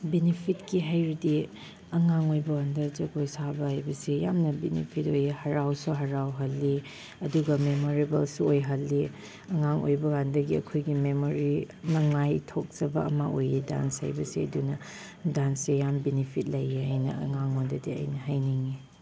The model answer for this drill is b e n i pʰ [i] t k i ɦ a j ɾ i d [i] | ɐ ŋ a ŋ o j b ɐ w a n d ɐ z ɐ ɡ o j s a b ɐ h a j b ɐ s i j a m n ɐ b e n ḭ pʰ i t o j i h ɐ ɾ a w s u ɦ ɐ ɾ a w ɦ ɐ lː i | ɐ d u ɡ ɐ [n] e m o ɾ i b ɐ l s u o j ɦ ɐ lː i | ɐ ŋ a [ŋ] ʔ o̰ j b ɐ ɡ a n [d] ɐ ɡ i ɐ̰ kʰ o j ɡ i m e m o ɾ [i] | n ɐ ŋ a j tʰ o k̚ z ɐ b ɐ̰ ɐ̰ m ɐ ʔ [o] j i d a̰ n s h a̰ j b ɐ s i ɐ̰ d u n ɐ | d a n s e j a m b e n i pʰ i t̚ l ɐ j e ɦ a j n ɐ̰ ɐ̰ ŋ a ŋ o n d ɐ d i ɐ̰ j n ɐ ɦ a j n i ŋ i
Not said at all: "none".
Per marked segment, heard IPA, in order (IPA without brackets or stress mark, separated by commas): i, i, m, ŋ, d, i, o